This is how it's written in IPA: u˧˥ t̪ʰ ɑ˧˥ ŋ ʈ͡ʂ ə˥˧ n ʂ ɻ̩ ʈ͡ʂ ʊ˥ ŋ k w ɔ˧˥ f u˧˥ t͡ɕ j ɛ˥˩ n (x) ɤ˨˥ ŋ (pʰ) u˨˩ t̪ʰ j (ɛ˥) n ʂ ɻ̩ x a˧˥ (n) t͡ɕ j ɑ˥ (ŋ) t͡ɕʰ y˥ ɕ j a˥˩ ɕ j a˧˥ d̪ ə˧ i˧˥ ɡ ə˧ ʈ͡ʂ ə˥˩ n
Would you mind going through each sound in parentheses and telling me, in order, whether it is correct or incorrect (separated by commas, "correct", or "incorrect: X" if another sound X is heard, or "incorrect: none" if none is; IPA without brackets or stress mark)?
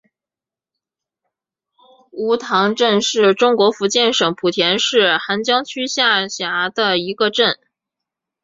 incorrect: ʂ, correct, incorrect: ɛ˧˥, correct, correct